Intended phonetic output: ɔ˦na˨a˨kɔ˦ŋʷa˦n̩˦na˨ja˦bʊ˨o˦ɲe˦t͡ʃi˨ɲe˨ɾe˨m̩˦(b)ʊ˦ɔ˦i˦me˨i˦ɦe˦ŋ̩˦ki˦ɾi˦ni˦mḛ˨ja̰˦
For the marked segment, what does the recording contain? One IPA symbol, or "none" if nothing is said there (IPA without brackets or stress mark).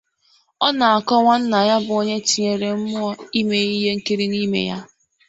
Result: m